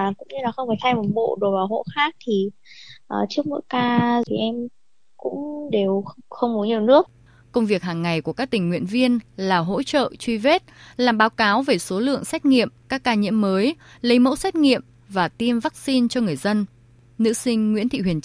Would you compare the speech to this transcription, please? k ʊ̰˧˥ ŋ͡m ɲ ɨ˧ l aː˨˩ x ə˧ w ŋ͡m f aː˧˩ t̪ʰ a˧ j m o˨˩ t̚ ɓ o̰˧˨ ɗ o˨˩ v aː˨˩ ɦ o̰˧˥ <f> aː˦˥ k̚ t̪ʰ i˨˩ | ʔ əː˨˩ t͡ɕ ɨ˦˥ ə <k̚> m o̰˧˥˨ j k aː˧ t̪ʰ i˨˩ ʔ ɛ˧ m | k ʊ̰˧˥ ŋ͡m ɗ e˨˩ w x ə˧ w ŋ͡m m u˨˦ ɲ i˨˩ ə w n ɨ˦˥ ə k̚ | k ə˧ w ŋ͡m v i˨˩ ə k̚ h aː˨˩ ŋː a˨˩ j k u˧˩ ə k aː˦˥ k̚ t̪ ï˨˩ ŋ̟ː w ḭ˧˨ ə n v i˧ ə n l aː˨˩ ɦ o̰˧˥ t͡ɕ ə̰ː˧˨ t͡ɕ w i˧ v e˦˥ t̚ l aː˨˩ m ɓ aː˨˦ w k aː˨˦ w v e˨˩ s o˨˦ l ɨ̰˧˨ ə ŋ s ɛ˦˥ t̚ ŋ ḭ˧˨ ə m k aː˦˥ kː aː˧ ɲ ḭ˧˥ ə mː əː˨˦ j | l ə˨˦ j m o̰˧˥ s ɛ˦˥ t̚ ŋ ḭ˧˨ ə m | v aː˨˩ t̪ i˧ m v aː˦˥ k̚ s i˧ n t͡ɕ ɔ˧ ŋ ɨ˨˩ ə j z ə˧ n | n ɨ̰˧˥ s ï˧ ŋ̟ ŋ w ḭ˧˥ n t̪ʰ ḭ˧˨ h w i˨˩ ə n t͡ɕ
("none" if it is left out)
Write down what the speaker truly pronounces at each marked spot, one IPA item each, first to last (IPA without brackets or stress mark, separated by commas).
x, k̚